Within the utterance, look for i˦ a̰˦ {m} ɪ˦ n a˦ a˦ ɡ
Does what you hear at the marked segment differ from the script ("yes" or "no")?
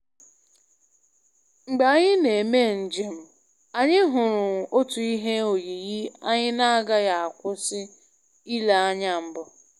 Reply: yes